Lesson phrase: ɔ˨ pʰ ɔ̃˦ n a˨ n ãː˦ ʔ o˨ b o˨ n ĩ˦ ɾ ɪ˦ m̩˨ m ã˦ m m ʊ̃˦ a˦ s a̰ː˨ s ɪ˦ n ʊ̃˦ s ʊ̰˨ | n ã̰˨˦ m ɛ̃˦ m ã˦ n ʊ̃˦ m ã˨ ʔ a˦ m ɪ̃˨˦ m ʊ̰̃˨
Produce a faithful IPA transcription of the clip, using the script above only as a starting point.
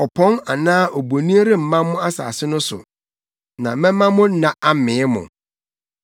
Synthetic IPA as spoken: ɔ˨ pʰ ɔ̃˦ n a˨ n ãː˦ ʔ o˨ b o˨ n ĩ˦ ɾ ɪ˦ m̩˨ m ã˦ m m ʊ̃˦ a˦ s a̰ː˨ s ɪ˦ n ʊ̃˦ s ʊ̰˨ | n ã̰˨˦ m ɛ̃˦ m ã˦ m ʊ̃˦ n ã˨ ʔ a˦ m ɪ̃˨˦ m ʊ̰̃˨